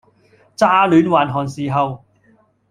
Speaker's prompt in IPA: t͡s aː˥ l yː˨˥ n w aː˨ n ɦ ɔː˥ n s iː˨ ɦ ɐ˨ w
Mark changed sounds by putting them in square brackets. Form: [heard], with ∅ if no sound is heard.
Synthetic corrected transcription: t͡s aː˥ l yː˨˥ n w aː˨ n ɦ [ɔː˨] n s iː˨ ɦ ɐ˨ w

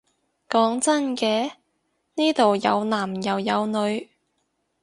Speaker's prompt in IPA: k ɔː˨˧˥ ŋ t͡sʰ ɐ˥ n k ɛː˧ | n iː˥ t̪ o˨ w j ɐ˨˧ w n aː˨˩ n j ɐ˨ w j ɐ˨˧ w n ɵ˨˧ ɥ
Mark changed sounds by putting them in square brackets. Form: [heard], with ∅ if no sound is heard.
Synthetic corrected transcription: k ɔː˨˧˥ ŋ [t͡s] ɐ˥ n k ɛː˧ | n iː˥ t̪ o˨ w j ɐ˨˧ w n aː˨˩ [m] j ɐ˨ w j ɐ˨˧ w n ɵ˨˧ ɥ

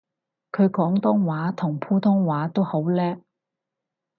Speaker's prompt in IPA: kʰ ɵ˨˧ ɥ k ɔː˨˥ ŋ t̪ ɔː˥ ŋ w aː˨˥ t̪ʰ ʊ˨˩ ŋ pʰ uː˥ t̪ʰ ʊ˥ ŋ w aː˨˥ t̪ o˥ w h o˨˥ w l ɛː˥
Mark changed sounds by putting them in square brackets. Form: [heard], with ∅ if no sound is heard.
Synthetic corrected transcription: kʰ ɵ˨˧ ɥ k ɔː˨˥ ŋ t̪ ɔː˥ ŋ w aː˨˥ t̪ʰ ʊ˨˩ ŋ pʰ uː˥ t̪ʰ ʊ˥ ŋ w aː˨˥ t̪ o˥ w h o˨˥ w l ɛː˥

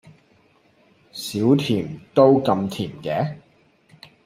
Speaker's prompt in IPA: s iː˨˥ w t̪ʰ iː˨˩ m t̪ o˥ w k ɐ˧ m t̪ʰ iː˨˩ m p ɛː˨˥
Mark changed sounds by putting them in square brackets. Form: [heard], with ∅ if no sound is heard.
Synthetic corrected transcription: s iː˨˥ w t̪ʰ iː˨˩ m t̪ o˥ w k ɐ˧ m t̪ʰ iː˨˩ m [k] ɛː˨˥

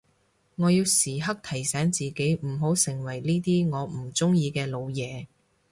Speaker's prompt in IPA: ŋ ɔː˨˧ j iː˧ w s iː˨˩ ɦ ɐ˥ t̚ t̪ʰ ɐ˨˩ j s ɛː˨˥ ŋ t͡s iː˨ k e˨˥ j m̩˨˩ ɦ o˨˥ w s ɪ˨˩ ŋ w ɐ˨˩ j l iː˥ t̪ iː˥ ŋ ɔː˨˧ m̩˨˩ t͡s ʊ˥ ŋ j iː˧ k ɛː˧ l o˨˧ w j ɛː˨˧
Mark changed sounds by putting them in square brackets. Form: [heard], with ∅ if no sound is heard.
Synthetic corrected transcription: ŋ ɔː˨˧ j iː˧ w s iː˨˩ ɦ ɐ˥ [k̚] t̪ʰ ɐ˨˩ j s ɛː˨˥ ŋ t͡s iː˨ k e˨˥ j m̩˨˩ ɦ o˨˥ w s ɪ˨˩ ŋ w ɐ˨˩ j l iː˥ t̪ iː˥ ŋ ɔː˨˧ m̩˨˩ t͡s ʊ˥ ŋ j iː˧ k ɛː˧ l o˨˧ w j ɛː˨˧

